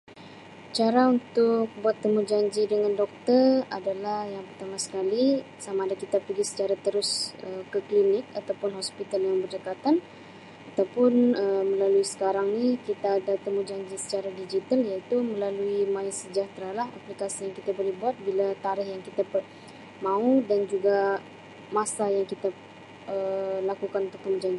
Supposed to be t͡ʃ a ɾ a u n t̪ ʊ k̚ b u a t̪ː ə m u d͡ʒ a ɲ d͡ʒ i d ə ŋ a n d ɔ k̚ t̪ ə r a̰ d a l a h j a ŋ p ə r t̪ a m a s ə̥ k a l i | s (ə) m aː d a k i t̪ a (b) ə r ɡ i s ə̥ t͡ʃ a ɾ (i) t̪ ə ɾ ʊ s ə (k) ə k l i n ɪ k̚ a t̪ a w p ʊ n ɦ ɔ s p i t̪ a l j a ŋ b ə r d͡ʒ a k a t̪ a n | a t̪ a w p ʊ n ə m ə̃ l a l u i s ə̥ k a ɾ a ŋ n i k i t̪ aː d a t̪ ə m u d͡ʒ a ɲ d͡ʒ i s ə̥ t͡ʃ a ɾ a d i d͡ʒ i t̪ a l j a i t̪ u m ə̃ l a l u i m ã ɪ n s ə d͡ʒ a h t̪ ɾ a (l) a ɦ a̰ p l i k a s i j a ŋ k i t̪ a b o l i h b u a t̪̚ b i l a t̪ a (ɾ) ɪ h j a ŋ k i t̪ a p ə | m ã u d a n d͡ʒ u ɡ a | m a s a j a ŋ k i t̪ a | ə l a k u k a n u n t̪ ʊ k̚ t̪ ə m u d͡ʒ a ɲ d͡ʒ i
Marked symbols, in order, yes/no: no, no, no, yes, yes, yes

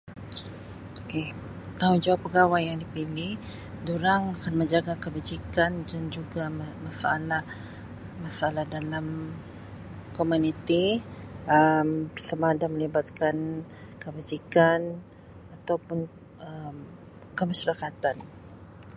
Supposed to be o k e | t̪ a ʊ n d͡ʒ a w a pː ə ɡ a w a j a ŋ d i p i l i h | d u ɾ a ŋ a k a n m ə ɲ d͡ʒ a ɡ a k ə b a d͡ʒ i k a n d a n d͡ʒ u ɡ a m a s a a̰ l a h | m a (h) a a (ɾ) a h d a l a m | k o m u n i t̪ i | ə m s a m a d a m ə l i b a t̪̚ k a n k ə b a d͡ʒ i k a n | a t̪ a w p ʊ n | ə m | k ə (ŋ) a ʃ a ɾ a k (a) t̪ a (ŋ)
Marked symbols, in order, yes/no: no, no, no, yes, no

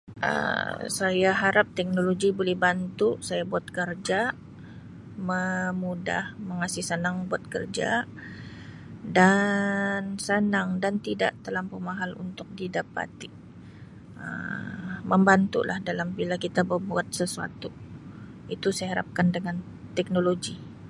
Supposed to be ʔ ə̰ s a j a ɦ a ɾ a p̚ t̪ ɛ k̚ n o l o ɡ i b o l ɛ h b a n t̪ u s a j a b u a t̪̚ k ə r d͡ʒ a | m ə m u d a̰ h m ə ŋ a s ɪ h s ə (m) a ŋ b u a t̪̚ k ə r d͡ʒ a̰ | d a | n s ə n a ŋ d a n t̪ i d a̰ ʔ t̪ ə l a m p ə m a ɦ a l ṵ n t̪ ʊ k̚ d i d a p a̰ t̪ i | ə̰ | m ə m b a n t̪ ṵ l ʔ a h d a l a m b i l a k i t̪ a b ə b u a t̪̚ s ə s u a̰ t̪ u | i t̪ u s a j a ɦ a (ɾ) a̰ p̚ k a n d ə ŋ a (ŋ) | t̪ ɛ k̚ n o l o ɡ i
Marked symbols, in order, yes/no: no, yes, no

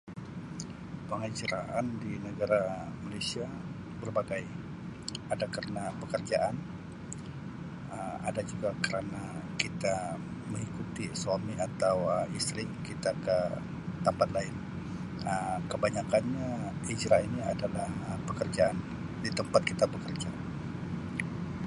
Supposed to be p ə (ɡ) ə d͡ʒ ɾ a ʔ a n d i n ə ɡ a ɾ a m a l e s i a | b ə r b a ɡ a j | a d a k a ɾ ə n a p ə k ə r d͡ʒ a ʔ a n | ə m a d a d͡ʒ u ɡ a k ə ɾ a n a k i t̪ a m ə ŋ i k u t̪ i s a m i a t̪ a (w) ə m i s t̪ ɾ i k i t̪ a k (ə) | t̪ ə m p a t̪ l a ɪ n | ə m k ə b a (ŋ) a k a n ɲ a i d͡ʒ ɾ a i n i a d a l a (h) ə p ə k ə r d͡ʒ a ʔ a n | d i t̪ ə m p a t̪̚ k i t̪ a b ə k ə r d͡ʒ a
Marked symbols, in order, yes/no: no, yes, yes, no, yes

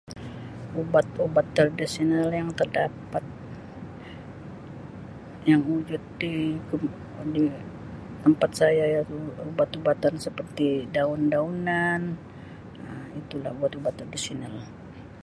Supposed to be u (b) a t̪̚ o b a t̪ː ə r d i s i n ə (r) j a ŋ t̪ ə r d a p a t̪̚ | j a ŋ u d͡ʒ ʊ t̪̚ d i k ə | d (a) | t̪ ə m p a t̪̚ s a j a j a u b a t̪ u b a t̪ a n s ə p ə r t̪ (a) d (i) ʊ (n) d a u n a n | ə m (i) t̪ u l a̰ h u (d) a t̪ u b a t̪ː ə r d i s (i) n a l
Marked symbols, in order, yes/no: yes, no, no, no, no, yes, yes, no, yes

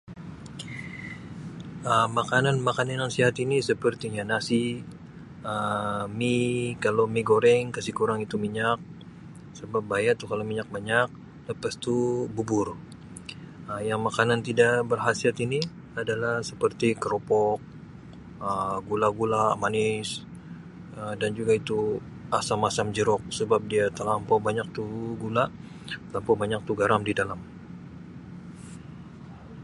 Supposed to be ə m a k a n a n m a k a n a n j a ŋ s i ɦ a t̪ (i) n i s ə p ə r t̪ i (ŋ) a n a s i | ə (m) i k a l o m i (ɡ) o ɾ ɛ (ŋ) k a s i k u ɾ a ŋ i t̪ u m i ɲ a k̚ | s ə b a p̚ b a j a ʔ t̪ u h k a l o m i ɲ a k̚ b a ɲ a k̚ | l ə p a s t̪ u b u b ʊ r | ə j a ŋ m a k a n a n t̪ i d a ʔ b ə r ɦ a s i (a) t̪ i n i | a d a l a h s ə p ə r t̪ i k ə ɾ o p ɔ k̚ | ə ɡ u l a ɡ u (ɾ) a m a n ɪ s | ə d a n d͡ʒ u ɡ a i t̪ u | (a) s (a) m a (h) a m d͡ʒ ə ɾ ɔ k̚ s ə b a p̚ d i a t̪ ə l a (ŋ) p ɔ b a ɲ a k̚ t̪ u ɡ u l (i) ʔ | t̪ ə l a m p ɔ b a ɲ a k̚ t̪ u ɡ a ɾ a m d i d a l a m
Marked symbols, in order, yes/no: yes, no, yes, yes, yes, yes, no, yes, yes, no, no, no

